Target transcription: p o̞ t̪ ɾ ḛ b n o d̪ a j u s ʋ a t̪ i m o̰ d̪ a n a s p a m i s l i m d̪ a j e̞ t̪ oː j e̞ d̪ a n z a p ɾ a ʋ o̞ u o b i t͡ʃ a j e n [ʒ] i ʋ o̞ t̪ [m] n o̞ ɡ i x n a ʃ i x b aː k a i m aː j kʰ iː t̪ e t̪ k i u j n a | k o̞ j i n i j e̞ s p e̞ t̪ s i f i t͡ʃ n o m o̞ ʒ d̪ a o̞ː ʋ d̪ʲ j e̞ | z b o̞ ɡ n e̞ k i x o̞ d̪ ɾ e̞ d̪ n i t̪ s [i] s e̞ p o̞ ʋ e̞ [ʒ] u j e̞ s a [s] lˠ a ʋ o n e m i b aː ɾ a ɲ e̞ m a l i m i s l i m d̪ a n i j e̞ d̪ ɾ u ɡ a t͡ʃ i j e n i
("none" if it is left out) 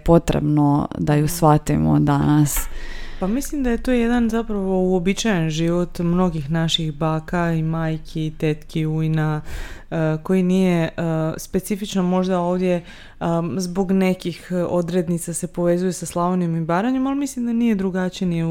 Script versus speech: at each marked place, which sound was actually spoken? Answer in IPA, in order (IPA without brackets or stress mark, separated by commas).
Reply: ʒ, m, a, z, s